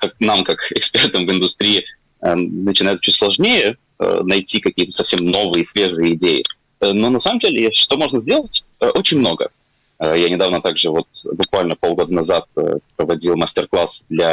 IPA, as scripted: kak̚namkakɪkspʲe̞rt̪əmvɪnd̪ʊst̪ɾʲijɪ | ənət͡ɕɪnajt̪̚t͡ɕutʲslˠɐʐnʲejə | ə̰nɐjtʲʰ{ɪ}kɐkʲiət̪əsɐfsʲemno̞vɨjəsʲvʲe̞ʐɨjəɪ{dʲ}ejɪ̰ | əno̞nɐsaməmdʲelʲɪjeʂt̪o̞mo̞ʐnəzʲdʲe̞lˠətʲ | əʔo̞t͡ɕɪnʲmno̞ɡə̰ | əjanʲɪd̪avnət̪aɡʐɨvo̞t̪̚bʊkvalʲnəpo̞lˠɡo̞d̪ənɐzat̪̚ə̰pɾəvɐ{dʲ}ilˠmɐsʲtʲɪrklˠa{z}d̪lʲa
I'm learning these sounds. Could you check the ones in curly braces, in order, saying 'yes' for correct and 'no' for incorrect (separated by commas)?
no, yes, yes, no